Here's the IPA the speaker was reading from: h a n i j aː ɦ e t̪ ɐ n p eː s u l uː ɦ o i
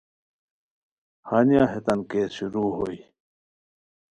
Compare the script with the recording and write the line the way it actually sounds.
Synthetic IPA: h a n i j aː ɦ e t̪ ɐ n k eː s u ɾ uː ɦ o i

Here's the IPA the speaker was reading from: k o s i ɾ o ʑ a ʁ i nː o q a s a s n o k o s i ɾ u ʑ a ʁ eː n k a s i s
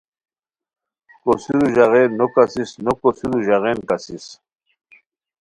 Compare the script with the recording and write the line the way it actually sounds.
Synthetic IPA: k o s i ɾ u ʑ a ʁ e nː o k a s i s n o k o s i ɾ u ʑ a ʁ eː n k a s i s

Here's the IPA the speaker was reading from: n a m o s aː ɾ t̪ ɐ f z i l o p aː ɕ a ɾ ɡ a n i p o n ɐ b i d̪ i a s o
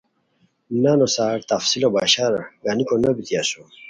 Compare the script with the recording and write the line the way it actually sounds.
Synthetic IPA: n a n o s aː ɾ t̪ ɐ f s i l o b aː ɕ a ɾ ɡ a n i k o n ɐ b i t̪ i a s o

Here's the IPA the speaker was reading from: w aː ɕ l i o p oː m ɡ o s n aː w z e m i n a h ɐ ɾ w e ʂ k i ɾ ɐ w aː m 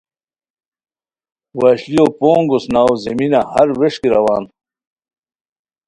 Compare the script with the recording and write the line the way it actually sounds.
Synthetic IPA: w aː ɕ l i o p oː ŋ ɡ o s n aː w z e m i n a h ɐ ɾ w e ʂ k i ɾ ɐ w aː n

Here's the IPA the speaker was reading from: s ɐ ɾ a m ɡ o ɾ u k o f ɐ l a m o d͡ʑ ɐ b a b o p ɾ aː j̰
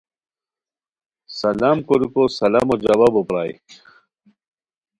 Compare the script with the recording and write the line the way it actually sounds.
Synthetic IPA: s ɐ l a m k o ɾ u k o s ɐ l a m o d͡ʑ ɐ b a b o p ɾ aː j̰

